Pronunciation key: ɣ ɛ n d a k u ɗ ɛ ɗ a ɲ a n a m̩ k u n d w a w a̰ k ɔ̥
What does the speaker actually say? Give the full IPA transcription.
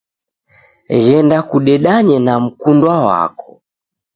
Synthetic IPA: ɣ ɛ n d a k u ɗ ɛ ɗ a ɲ ɛ n a m̩ k u n d w a w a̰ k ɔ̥